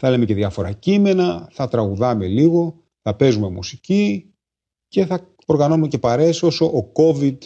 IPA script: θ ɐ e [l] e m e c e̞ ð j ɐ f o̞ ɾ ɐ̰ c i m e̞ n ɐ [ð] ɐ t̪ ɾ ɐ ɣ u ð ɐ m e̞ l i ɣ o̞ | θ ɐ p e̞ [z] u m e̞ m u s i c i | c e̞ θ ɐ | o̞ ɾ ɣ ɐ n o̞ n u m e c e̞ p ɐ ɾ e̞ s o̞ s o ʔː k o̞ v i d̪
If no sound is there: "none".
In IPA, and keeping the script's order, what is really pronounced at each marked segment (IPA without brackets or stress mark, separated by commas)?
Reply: l, θ, z